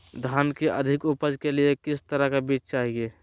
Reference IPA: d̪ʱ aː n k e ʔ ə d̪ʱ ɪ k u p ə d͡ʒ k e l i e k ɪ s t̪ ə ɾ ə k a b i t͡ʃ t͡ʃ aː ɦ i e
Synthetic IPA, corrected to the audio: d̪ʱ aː n k e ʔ ə d̪ʱ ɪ k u p ə d͡ʒ k e l i e k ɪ s t̪ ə ɾ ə k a b i t͡ʃ t͡ʃ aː ɦ i e